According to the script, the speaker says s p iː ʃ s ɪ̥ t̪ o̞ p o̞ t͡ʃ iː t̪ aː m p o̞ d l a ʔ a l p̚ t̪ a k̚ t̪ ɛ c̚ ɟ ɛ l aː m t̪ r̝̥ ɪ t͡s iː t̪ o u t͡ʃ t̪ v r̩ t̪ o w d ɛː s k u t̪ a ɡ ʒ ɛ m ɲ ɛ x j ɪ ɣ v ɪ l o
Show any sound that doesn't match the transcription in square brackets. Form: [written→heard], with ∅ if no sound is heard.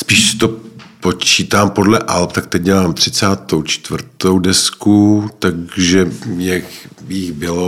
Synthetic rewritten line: s p iː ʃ s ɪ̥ t̪ o̞ p o̞ t͡ʃ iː t̪ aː m p o̞ d l [a→ɛ] ʔ a l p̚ t̪ a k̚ t̪ ɛ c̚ ɟ ɛ l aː m t̪ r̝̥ ɪ t͡s [iː→aː] t̪ o [u→w] t͡ʃ t̪ v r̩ t̪ o w d [ɛː→ɛ] s k u t̪ a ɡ ʒ ɛ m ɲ ɛ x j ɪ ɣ [v→b] ɪ l o